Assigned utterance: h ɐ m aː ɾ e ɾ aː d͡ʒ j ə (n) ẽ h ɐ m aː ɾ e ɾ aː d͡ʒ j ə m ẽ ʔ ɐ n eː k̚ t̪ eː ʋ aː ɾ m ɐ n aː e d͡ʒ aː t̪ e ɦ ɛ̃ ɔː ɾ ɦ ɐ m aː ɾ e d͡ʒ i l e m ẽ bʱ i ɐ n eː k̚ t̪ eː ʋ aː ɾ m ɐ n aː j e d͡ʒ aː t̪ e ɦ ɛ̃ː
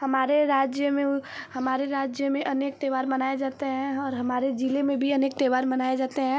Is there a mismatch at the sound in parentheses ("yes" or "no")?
yes